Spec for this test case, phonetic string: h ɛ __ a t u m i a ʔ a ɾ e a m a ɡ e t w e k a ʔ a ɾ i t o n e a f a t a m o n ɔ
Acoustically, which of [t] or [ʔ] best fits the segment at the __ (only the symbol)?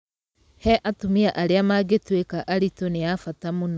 ʔ